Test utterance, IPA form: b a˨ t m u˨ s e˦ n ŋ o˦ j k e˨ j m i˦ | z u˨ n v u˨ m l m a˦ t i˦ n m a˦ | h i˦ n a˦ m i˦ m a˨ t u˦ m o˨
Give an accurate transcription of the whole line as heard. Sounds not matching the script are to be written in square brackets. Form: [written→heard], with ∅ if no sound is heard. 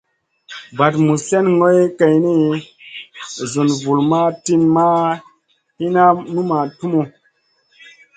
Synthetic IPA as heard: b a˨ t m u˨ s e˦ n ŋ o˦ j k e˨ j [m→n] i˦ | z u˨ n v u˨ [m→∅] l m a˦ t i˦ n m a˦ | h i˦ n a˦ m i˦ m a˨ t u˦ m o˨